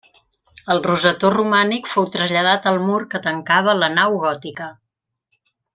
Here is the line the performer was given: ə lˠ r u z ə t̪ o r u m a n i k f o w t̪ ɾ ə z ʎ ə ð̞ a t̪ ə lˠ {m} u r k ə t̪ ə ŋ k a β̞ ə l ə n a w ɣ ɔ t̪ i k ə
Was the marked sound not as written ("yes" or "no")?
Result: no